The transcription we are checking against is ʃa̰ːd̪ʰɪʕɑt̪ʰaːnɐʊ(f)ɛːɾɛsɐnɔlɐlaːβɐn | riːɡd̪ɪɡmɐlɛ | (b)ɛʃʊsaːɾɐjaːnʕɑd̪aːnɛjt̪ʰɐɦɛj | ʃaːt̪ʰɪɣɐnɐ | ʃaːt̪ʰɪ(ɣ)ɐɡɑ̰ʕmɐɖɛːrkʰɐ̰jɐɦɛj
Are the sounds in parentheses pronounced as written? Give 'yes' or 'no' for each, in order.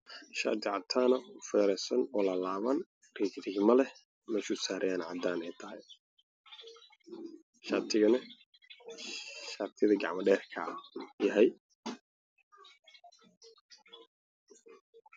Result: yes, no, no

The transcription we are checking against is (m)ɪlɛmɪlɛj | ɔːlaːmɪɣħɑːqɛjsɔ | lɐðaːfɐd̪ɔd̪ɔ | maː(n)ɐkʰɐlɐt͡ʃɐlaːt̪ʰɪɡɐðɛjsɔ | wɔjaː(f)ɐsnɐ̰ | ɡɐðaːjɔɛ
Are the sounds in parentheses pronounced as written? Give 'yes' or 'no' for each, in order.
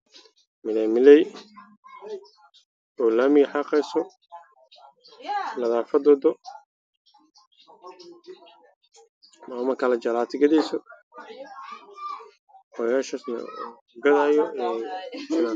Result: yes, no, no

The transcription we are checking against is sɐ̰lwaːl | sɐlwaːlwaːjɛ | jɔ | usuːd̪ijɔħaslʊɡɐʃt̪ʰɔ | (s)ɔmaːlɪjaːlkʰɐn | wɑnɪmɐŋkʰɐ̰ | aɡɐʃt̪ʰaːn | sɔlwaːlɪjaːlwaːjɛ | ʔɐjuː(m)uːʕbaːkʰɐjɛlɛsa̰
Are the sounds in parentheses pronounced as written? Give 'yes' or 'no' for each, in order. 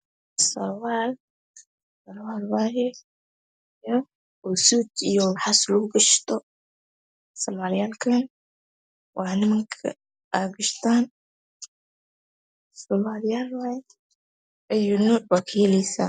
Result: yes, no

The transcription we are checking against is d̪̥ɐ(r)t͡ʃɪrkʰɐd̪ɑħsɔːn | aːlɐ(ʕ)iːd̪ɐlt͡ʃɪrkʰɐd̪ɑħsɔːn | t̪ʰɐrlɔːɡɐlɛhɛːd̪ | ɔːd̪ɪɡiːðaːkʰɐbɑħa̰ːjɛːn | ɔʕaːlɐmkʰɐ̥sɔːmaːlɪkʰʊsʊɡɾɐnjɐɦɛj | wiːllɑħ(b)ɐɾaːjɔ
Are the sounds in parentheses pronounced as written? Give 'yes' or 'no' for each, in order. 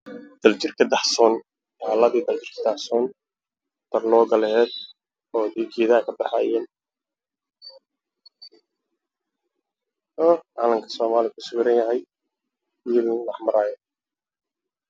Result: no, no, no

